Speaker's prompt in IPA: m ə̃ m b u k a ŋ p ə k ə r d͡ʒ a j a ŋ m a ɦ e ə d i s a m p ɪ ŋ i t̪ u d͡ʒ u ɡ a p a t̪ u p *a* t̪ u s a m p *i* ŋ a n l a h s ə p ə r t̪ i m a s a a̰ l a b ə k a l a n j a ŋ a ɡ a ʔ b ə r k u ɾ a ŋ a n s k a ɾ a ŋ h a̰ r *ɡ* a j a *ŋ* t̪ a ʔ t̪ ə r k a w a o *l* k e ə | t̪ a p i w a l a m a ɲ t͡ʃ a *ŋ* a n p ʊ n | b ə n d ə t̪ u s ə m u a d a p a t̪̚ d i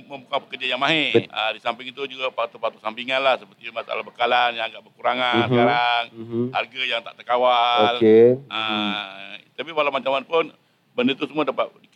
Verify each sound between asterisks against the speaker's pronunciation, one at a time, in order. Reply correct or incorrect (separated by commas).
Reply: correct, correct, correct, correct, correct, incorrect